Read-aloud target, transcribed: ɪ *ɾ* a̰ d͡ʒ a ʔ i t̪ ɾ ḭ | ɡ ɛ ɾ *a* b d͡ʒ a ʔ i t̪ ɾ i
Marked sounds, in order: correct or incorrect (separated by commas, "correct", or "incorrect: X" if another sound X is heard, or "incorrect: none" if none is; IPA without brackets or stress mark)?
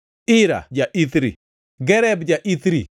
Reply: correct, incorrect: ɛ